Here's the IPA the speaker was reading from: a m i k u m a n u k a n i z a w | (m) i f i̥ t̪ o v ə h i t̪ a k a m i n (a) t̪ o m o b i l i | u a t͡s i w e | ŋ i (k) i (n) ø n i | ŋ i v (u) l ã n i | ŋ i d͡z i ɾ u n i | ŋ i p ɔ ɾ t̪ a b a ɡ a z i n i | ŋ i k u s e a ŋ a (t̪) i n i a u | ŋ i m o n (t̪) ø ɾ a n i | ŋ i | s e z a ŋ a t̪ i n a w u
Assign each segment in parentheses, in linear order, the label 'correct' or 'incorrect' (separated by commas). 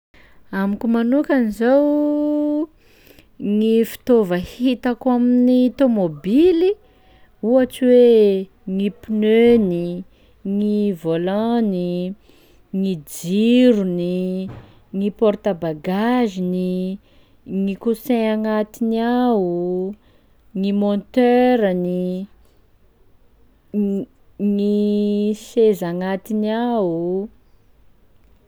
incorrect, incorrect, incorrect, correct, incorrect, correct, correct